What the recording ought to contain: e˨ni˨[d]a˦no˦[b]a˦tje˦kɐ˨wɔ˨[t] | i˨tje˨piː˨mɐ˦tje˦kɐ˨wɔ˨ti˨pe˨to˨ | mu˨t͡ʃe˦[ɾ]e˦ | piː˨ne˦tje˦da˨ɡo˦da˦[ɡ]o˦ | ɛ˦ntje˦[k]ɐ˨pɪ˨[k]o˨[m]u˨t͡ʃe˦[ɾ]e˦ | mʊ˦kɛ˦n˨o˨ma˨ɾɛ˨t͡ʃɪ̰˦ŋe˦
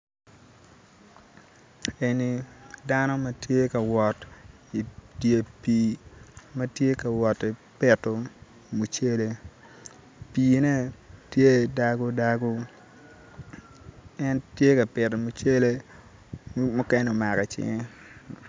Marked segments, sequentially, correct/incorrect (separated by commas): correct, incorrect, correct, incorrect, correct, correct, incorrect, correct, incorrect